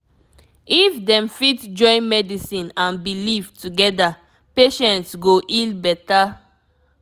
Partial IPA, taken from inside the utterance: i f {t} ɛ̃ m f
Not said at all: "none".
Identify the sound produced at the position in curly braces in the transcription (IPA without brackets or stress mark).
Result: d